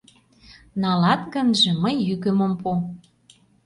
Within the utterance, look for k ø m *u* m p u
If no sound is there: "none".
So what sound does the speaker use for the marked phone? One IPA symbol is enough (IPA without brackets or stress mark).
o